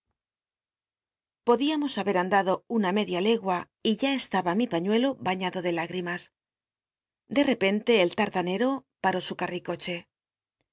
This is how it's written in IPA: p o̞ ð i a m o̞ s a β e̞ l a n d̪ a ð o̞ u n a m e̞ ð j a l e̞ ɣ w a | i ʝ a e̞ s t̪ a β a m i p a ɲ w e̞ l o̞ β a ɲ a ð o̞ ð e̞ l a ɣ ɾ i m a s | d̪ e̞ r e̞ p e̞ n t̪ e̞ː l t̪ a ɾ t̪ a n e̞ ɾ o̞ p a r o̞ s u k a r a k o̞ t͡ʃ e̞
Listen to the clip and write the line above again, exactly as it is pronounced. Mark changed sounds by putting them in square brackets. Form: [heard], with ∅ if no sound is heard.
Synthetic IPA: p o̞ ð i a m o̞ s a β e̞ [ɾ] a n d̪ a ð o̞ u n a m e̞ ð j a l e̞ ɣ w a | i ʝ a e̞ s t̪ a β a m i p a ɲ w e̞ l o̞ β a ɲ a ð o̞ ð e̞ l a ɣ ɾ i m a s | d̪ e̞ r e̞ p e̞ n t̪ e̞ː l t̪ a ɾ t̪ a n e̞ ɾ o̞ p a [ɾ] o̞ s u k a r [i] k o̞ t͡ʃ e̞